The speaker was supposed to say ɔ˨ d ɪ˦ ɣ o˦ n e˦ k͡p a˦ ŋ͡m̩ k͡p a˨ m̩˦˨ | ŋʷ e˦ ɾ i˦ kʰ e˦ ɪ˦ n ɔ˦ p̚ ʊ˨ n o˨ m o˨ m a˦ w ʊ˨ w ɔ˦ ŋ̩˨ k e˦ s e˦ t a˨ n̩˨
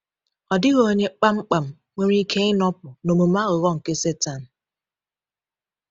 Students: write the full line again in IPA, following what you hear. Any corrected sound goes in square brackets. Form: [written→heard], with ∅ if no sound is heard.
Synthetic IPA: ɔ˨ d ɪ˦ ɣ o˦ [n→ɲ] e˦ k͡p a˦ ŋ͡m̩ k͡p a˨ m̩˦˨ | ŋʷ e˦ ɾ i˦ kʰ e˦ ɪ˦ n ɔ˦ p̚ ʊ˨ n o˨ m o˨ m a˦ [w→ɣ] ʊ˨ [w→ɣ] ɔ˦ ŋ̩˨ k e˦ s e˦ t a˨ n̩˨